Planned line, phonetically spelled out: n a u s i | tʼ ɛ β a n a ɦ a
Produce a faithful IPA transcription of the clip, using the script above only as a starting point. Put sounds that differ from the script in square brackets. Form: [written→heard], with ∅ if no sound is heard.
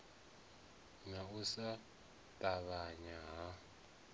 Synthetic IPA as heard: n a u s [i→a] | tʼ [ɛ→a] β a [n→ɲ] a ɦ a

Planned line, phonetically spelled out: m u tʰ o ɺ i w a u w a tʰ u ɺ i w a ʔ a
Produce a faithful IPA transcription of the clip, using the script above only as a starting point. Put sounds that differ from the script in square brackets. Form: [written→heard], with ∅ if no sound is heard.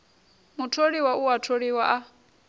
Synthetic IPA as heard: m u tʰ o ɺ i w a u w a tʰ [u→o] ɺ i w a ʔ a

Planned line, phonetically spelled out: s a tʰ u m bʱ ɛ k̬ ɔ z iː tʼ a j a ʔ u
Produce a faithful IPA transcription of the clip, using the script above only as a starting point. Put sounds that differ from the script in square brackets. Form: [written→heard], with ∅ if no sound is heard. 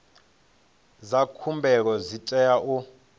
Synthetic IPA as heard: [s→z] a [tʰ→kʰ] u m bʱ ɛ k̬ ɔ z [iː→i] tʼ [a→ɛ] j a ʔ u

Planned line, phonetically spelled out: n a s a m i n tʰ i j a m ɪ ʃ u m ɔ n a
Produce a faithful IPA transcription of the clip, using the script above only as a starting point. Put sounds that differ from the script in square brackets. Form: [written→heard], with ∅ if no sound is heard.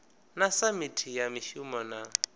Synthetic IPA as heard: n a s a m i [n→∅] tʰ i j a m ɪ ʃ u m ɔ n a

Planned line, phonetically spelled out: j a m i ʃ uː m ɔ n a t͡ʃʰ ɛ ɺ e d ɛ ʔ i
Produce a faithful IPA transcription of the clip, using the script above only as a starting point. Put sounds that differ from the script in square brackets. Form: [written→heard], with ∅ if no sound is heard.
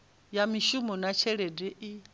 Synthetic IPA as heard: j a m i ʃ [uː→u] m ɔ n a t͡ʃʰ ɛ ɺ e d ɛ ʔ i

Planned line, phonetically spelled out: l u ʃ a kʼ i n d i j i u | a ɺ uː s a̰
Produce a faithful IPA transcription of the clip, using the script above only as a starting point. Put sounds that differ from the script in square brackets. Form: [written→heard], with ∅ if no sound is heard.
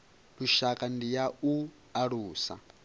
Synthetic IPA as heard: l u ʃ a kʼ [i→a] n d i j [i→a] u | a ɺ uː s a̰

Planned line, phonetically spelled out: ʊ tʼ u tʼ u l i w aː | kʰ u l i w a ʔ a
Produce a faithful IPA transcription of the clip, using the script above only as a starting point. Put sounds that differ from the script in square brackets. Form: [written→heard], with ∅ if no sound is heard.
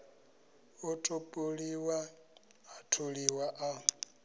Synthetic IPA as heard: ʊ tʼ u [tʼ→pʼ] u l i w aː | [kʰ→tʰ] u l i w a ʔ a

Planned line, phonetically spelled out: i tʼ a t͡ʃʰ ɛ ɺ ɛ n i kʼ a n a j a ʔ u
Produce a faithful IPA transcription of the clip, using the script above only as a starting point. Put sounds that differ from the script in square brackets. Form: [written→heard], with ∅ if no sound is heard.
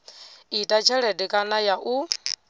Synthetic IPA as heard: i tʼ a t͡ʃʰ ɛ ɺ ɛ [n→d] i kʼ a n a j a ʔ u

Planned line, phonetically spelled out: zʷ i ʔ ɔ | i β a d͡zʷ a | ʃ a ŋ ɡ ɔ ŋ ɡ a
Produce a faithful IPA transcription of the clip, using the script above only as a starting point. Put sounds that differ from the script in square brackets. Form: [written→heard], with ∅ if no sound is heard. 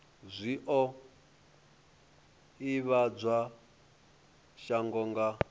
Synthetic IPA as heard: zʷ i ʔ ɔ | i β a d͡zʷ a | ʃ a ŋ ɡ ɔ ŋ ɡ a

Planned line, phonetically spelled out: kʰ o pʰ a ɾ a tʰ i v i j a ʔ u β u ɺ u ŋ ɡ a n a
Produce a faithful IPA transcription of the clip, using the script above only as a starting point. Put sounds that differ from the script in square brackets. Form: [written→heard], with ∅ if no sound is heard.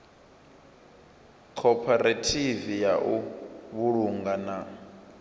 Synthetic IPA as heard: kʰ [o→ɔ] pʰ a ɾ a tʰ i v i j a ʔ u β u ɺ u ŋ ɡ a n a

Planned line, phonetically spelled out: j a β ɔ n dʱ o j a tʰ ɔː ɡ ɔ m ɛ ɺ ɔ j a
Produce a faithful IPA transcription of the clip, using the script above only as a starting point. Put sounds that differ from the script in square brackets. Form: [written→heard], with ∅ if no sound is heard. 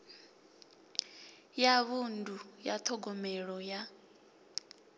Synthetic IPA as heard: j a β [ɔ→u] n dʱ [o→u] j a tʰ [ɔː→ɔ] ɡ ɔ m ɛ ɺ ɔ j a

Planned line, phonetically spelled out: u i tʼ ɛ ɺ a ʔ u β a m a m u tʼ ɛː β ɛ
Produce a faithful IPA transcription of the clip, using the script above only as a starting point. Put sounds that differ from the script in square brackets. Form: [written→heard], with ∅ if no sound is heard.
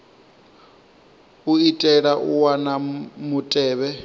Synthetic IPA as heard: u i tʼ ɛ ɺ a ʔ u [β→w] a [m→n] a m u tʼ ɛː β ɛ

